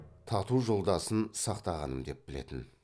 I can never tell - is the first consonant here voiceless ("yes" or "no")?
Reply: yes